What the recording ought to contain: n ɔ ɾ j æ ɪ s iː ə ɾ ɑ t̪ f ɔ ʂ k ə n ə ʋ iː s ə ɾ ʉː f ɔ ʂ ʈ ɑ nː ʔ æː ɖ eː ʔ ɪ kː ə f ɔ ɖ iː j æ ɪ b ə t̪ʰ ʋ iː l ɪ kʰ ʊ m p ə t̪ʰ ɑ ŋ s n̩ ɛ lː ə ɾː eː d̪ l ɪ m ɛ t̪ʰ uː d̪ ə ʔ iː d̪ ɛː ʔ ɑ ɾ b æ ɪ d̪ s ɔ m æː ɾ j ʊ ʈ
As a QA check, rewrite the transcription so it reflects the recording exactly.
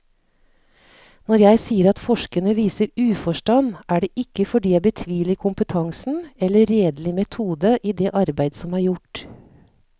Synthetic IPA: n ɔ ɾ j æ ɪ s iː ə ɾ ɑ t̪ f ɔ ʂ k ə n ə ʋ iː s ə ɾ ʉː f ɔ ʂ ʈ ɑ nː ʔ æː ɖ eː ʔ ɪ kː ə f ɔ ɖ iː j æ ɪ b ə t̪ʰ ʋ iː l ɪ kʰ ʊ m p ə t̪ʰ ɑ ŋ s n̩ ɛ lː ə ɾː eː d̪ l ɪ m ɛ t̪ʰ uː d̪ ə ʔ iː d̪ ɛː ʔ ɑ ɾ b æ ɪ d̪ s ɔ m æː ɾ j ʊ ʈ